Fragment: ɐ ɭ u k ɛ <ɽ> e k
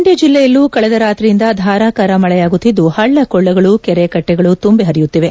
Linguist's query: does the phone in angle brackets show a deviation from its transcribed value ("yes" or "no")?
yes